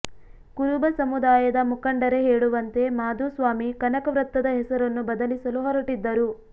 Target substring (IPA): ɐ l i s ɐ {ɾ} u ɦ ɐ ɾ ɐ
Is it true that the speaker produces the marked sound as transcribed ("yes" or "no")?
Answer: no